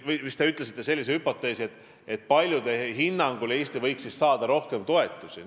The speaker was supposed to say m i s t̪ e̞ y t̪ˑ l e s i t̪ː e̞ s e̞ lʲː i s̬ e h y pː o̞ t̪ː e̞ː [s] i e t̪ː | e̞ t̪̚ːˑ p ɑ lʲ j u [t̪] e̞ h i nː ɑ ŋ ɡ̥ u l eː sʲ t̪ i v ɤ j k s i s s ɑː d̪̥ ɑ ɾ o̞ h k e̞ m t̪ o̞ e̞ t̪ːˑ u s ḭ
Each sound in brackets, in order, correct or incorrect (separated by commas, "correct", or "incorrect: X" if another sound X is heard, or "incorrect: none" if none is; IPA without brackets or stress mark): correct, incorrect: d̪